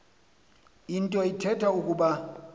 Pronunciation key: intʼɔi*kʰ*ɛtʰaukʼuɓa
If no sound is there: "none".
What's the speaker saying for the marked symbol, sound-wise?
tʰ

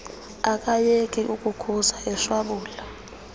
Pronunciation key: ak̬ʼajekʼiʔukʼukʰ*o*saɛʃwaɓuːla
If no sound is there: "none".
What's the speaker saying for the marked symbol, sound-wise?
u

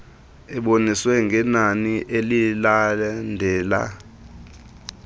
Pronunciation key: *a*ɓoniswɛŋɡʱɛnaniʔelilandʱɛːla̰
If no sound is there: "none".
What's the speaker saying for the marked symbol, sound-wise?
ɛ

